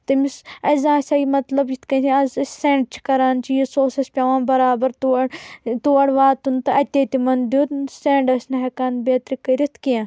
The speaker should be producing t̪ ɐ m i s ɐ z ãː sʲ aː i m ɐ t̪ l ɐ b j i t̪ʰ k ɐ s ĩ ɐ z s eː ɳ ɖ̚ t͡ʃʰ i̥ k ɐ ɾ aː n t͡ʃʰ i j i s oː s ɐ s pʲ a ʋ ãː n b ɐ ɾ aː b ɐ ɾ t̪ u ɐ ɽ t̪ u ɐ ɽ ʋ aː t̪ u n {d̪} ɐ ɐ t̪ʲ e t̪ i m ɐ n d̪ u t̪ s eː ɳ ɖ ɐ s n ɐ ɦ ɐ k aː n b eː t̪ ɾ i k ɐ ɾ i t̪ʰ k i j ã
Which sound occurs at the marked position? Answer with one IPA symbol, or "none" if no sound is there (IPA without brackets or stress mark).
t̪